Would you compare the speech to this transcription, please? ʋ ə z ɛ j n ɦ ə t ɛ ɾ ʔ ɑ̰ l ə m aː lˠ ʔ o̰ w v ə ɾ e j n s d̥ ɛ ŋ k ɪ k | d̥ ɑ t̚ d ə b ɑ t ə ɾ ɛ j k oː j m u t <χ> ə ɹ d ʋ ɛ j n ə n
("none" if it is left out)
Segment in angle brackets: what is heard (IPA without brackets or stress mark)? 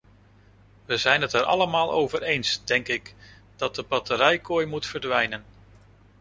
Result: f